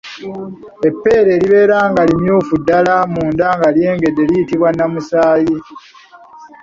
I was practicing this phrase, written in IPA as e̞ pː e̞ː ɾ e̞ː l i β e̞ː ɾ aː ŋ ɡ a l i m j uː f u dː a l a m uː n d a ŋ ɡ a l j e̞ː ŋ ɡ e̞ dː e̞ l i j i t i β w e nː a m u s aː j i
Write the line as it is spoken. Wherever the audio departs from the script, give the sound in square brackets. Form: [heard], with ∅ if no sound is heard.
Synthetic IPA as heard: e̞ pː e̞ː ɾ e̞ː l i β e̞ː ɾ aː ŋ ɡ a l i m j uː f u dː a l a m uː n d a ŋ ɡ a l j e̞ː ŋ ɡ e̞ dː e̞ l i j i t i β w [a] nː a m u s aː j i

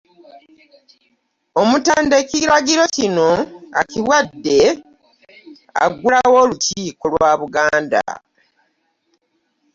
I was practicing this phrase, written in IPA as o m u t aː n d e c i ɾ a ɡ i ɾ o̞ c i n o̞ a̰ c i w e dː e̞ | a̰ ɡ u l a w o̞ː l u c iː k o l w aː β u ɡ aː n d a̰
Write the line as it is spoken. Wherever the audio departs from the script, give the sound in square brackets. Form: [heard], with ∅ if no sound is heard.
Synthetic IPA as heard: o m u t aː n d e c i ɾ a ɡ i ɾ o̞ c i n o̞ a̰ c i w [a] dː e̞ | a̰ ɡ u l a w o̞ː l u c iː k o l w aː β u ɡ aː n d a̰

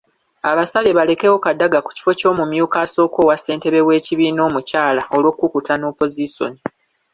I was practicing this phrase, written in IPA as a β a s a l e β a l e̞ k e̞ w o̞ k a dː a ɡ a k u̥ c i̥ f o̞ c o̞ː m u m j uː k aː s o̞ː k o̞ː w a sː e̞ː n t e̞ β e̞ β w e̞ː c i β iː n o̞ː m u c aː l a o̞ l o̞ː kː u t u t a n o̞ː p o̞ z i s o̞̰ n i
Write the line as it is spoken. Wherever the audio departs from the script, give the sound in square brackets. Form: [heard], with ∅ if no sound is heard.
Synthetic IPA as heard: a β a s a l e β a l e̞ k e̞ w o̞ k a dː a ɡ a k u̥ c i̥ f o̞ c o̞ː m u m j uː k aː s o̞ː k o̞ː w a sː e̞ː n t e̞ β e̞ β w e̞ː c i β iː n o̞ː m u c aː l a o̞ l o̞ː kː u [k] u t a n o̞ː p o̞ z i s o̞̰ n i

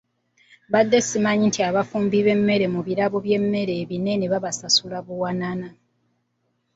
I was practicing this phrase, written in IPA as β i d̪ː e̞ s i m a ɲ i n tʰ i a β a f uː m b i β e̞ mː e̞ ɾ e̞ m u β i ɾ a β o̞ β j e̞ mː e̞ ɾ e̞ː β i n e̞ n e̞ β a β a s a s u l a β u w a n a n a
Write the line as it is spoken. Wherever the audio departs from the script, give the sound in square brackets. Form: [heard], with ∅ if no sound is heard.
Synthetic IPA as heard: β [a] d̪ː e̞ s i m a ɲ i n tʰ i a β a f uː m b i β e̞ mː e̞ ɾ e̞ m u β i ɾ a β o̞ β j e̞ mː e̞ ɾ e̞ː β i n e̞ n e̞ β a β a s a s u l a β u w a n a n a

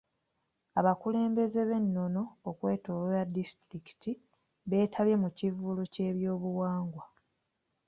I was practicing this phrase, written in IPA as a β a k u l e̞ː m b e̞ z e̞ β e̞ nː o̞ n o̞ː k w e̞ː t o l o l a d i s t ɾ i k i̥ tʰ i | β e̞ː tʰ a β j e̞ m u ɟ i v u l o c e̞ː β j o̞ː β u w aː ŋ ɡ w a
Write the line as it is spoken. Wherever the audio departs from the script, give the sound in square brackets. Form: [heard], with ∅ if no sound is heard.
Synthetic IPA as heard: a β a k u l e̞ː m b e̞ z e̞ β e̞ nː o̞ n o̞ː k w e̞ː t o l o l a d i s t ɾ i k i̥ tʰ i | β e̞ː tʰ a β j e̞ m u [c] i v u l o c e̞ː β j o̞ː β u w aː ŋ ɡ w a

